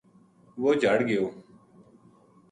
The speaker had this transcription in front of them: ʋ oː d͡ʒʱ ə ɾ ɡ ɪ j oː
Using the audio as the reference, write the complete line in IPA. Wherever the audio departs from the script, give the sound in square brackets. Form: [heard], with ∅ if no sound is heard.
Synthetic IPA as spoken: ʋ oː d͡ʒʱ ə [ɽ] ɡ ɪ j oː